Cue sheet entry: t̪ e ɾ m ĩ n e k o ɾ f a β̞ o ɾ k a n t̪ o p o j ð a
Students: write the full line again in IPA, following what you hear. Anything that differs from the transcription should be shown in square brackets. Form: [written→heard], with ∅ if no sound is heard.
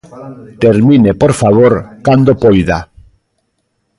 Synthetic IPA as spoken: t̪ e ɾ m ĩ n e [k→p] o ɾ f a β̞ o ɾ k a n [t̪→d̪] o p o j ð a